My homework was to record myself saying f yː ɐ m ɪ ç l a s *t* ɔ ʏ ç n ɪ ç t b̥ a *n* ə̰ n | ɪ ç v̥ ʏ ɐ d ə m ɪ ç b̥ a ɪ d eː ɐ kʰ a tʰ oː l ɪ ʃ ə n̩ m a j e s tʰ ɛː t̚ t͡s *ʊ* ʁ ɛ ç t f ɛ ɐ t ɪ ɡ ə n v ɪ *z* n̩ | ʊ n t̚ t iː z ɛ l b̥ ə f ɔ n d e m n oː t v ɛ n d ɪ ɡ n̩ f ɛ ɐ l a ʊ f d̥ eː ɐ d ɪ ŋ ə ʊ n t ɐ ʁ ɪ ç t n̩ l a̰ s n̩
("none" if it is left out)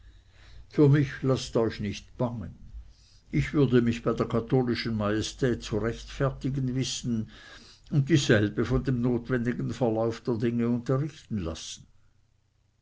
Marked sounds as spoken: t, ŋ, u, s

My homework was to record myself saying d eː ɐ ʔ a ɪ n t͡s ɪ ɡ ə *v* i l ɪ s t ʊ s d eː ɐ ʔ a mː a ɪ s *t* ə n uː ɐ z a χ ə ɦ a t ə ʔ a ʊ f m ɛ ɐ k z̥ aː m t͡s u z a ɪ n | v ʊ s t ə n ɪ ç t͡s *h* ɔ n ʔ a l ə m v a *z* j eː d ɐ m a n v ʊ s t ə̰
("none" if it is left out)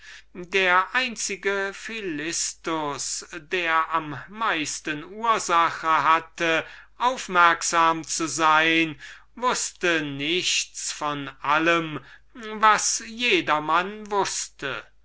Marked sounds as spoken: f, t, f, s

